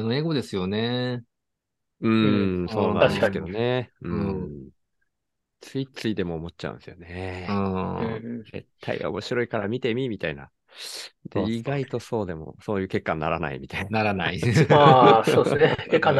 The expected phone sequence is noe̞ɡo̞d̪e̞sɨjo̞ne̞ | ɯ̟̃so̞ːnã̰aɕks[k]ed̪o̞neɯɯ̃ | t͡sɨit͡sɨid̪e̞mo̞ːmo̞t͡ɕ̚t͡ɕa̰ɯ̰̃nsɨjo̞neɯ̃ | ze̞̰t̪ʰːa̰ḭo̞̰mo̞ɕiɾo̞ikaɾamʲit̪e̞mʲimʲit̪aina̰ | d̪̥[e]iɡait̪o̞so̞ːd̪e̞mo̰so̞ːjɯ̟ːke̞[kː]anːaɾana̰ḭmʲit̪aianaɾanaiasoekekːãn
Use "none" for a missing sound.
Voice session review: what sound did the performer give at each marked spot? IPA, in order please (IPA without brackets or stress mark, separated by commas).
k, e, kː